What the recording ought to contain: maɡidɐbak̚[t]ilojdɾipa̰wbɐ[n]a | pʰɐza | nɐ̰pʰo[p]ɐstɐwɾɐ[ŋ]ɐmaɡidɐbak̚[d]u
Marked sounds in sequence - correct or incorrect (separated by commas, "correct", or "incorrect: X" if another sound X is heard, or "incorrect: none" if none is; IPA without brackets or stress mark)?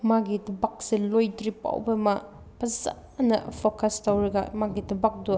incorrect: s, incorrect: m, incorrect: k, incorrect: ɡ, correct